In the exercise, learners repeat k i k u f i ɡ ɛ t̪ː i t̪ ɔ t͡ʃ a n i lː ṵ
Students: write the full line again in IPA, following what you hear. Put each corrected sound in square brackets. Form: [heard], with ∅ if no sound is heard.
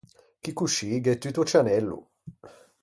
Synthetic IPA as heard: k i k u [ʃ] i ɡ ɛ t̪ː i t̪ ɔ t͡ʃ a n [ɛ] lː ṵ